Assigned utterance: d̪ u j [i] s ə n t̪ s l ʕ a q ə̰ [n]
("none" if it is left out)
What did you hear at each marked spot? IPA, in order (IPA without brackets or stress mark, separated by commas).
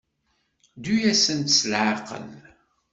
æ, n